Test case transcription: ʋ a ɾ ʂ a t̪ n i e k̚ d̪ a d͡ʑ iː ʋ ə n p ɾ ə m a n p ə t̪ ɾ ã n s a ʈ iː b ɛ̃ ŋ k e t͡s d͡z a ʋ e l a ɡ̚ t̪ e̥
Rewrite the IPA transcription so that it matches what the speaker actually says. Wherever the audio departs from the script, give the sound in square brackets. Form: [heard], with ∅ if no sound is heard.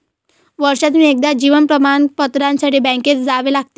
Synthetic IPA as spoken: ʋ [ə] ɾ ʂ a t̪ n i e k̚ d̪ a d͡ʑ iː ʋ ə n p ɾ ə m a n p ə t̪ ɾ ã n s a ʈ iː b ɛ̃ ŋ k e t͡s d͡z a ʋ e l a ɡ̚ t̪ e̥